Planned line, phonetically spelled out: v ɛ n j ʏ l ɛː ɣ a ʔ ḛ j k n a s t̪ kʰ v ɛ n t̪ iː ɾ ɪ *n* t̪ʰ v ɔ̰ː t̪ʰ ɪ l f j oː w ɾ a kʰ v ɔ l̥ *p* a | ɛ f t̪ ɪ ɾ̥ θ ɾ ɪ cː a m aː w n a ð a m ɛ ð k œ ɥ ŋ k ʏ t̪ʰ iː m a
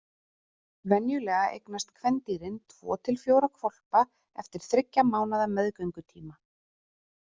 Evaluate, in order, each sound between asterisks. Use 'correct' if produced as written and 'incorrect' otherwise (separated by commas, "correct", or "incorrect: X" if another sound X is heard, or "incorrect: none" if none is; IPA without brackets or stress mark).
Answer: correct, correct